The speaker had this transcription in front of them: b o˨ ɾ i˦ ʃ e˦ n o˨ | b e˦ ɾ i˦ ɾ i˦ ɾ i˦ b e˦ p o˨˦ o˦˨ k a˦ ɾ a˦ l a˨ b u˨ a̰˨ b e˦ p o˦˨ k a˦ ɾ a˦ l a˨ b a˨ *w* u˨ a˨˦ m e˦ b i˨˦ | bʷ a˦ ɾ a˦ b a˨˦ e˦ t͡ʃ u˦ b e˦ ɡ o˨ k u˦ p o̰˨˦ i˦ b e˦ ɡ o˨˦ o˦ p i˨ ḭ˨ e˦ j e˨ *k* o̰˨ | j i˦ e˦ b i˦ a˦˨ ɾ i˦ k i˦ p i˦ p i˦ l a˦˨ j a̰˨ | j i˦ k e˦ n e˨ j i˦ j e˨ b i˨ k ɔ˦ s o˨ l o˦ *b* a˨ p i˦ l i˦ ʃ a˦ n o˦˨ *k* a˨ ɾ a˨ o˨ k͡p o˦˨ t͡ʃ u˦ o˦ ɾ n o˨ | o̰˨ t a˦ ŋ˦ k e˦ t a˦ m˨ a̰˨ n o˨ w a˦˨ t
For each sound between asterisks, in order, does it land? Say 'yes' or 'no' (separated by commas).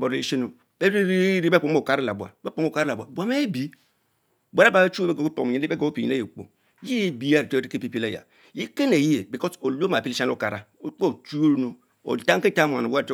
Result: no, no, no, yes